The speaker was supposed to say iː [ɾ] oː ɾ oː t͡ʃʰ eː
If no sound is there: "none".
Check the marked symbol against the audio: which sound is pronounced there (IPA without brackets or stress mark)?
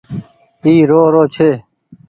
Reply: ɾ